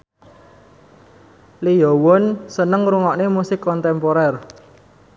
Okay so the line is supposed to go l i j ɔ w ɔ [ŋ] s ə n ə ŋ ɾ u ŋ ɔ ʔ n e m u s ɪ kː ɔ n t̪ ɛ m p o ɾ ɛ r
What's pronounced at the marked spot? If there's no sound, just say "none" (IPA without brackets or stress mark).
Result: n